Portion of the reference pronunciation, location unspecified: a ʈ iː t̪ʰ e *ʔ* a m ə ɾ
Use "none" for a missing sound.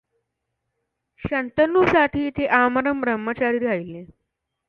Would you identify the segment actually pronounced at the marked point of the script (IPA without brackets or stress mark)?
ʔ